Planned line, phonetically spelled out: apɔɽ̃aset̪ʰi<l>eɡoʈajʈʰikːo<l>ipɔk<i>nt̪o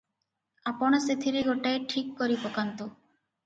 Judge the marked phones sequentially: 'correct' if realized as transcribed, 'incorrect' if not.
incorrect: ɾ, incorrect: ɾ, incorrect: a

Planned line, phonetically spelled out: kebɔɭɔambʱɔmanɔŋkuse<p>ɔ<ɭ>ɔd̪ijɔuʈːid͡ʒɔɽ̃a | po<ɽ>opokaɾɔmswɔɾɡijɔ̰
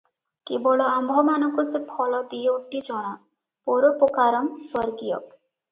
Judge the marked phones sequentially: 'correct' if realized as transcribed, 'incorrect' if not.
incorrect: pʰ, incorrect: l, incorrect: ɾ

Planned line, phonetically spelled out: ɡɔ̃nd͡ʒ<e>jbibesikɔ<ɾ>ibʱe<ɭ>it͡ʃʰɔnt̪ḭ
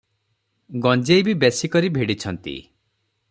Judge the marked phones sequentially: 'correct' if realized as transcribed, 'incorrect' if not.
correct, correct, incorrect: ɽ

